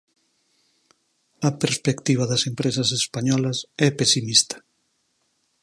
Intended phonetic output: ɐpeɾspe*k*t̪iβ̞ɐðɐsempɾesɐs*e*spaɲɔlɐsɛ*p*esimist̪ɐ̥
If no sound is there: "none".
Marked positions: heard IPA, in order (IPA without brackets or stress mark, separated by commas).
k, e, p